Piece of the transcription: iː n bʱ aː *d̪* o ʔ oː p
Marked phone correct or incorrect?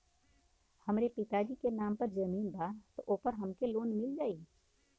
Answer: incorrect